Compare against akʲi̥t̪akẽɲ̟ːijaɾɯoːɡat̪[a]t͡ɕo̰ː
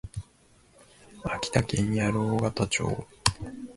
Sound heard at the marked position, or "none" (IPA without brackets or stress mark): a